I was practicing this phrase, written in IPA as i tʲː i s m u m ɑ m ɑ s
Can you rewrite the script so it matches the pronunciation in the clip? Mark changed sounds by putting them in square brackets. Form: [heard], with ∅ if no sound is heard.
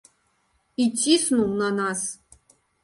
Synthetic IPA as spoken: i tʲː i s [n] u [n] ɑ [n] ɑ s

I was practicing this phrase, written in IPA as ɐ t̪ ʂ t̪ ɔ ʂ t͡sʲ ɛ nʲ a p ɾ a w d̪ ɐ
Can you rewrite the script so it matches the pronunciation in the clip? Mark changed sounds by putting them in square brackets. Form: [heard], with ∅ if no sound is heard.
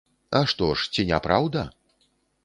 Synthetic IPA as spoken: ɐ [∅] ʂ t̪ ɔ ʂ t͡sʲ [i] nʲ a p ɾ a w d̪ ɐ

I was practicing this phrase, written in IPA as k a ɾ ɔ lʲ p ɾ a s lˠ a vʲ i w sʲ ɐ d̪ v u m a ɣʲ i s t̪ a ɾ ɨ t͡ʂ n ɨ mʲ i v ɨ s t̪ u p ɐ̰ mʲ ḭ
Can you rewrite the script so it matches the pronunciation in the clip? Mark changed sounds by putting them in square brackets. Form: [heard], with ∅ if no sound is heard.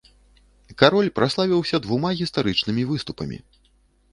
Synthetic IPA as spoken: k a ɾ ɔ lʲ p ɾ a s lˠ a vʲ i w sʲ ɐ d̪ v u m a ɣʲ i s t̪ a ɾ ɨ t͡ʂ n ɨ mʲ i v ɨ s t̪ u p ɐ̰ mʲ ḭ

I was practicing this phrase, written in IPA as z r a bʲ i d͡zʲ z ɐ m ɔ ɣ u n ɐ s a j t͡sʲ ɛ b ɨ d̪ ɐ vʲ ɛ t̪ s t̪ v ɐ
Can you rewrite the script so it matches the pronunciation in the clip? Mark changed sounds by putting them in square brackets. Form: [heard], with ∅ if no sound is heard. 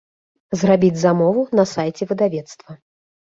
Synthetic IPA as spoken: z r a bʲ i d͡zʲ z [a] m ɔ [v] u n ɐ s a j t͡sʲ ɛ [v] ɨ d̪ [a] vʲ ɛ t̪ s t̪ v ɐ

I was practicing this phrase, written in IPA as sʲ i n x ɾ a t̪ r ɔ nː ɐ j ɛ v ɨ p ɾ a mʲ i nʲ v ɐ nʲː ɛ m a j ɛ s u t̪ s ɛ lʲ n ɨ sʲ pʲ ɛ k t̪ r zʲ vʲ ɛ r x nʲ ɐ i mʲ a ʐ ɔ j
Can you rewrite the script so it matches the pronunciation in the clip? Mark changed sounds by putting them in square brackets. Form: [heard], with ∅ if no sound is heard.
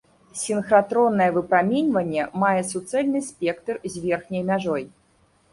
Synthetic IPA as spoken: sʲ i n x ɾ a t̪ [ɾ] ɔ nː ɐ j ɛ v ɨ p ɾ a mʲ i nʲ v ɐ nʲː ɛ m a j ɛ s u t̪ s ɛ lʲ n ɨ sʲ pʲ ɛ k t̪ r zʲ vʲ ɛ r x nʲ ɐ [j] mʲ a ʐ ɔ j

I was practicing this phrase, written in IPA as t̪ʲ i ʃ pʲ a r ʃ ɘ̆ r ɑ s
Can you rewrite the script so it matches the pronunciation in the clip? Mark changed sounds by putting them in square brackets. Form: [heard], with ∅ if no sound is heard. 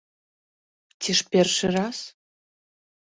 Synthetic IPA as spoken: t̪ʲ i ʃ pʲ [e] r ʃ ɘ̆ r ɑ s

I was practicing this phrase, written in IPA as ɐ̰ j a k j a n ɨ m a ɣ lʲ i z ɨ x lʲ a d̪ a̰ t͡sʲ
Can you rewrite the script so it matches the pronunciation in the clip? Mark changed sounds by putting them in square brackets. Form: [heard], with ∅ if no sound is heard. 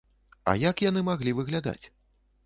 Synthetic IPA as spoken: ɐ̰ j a k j a n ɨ m a ɣ lʲ i [v] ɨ [ɣ] lʲ a d̪ a̰ t͡sʲ

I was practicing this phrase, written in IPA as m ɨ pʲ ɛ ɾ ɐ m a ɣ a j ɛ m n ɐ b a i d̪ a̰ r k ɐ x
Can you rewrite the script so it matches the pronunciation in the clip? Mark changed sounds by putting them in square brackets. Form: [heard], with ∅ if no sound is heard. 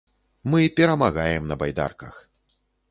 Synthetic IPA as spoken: m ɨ pʲ ɛ ɾ ɐ m a ɣ a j ɛ m n ɐ b a [j] d̪ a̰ r k ɐ x

